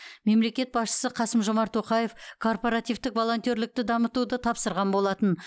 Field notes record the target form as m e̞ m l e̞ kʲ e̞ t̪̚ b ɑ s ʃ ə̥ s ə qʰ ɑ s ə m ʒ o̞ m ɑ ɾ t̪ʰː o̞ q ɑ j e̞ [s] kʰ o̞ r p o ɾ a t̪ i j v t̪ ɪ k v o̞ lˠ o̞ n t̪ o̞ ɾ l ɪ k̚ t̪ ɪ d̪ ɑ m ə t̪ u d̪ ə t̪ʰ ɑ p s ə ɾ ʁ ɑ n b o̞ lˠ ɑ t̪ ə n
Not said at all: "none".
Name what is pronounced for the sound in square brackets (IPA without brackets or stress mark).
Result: f